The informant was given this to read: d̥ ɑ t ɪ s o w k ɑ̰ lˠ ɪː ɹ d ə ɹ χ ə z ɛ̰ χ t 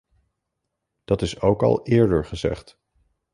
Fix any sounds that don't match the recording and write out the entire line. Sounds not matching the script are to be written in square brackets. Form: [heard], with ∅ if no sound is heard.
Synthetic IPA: d̥ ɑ t ɪ s o w k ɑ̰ lˠ ɪː ɹ d ə ɹ χ ə z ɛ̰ χ t